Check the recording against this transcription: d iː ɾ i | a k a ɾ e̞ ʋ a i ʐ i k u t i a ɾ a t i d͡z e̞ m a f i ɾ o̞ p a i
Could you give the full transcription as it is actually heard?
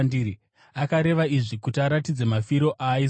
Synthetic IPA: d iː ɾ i | a k a ɾ e̞ ʋ a i ʐ i k u t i a ɾ a t i d͡z e̞ m a f i ɾ o̞ ʔ a i